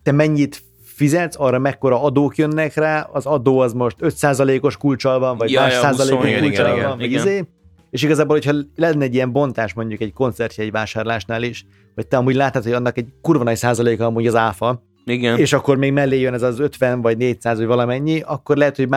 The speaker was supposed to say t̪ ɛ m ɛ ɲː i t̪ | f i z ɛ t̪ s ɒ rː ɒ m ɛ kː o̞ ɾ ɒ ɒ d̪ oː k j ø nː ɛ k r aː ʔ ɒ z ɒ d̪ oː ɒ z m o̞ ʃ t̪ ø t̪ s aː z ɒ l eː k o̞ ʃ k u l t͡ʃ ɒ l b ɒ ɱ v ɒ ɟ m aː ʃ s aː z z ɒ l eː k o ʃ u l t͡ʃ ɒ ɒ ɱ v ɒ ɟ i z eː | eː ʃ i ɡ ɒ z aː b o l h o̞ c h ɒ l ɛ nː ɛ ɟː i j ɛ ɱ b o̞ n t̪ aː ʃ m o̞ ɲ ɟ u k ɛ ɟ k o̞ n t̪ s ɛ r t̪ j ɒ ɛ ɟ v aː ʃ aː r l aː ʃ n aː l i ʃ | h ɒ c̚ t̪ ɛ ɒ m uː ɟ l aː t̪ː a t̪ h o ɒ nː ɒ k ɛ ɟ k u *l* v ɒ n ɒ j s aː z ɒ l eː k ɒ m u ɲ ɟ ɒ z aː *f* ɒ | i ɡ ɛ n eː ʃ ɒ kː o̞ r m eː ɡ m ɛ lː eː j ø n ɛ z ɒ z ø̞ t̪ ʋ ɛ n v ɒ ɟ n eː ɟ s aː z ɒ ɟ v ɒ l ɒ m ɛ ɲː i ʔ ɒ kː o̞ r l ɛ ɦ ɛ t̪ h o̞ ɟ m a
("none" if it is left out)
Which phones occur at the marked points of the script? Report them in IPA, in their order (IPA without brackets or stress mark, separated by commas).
r, f